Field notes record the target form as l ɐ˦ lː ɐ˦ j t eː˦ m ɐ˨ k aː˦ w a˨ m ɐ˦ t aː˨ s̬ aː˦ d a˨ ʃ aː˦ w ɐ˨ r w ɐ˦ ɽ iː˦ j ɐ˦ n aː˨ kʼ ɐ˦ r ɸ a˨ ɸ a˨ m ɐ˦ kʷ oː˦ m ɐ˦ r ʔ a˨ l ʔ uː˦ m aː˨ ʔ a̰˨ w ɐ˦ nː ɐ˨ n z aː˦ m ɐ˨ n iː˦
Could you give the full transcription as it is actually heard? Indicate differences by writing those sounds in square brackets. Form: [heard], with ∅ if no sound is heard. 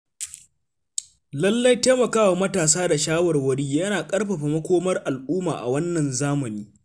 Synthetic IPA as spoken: l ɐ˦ lː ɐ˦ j t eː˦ m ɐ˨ k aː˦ w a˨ m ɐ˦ t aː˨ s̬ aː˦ d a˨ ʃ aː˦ w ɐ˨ r w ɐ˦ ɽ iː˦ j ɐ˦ n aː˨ kʼ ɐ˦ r ɸ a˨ ɸ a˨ m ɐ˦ kʷ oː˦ m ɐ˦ r ʔ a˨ l ʔ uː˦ m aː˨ ʔ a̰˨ w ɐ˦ nː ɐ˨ n z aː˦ m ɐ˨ n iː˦